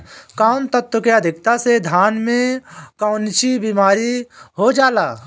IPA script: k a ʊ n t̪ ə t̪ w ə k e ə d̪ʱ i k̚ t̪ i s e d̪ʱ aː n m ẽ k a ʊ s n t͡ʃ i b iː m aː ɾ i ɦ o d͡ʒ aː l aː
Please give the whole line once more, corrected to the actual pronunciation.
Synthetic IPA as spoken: k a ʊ n t̪ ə t̪ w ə k e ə d̪ʱ ɪ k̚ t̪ a s e d̪ʱ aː n m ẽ k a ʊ n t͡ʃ i b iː m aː ɾ i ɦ o d͡ʒ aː l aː

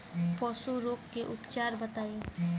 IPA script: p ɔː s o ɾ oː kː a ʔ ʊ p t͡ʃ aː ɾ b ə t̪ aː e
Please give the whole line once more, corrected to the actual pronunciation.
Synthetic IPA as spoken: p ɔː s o ɾ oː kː e ʔ ʊ p t͡ʃ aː ɾ b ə t̪ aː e

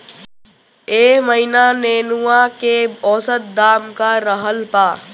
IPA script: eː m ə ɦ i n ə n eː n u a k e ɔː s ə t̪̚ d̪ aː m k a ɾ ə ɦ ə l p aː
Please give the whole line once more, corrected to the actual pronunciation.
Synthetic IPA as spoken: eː m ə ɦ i n a n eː n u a k e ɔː s ə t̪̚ d̪ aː m k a ɾ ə ɦ ə l p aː

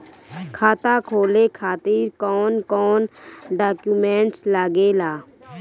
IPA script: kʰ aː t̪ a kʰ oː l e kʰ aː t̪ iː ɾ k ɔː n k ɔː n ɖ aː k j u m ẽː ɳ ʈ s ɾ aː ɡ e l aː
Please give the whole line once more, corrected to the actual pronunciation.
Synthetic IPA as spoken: kʰ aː t̪ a kʰ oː l e kʰ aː t̪ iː ɾ k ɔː n k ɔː n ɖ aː k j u m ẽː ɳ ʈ s l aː ɡ e l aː

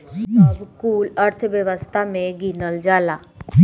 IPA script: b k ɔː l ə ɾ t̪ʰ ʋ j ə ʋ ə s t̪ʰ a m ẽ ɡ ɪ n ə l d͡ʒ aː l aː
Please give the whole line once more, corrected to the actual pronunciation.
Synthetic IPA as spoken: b k uː l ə ɾ t̪ʰ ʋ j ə ʋ ə s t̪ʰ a m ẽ ɡ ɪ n ə l d͡ʒ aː l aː

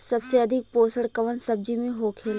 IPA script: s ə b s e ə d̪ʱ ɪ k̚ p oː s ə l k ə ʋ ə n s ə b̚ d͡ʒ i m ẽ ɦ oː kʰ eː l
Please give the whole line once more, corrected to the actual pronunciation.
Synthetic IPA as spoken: s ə b s e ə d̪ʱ ɪ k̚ p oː s ə ɽ k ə ʋ ə n s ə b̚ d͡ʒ i m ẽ ɦ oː kʰ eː l

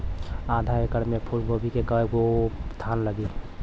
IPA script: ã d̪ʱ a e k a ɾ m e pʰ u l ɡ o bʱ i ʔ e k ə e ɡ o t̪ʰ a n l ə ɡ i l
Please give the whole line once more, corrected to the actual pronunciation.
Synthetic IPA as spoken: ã d̪ʱ a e k ə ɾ m e pʰ u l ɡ o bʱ i k e k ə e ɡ o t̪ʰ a n l ə ɡ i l

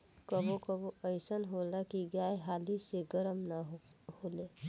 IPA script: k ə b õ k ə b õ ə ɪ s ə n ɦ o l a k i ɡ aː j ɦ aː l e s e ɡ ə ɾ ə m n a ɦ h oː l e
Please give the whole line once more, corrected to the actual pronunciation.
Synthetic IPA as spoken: k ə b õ k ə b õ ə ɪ s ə n ɦ o l a k i ɡ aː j ɦ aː l i s e ɡ ə ɾ ə m n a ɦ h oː l e

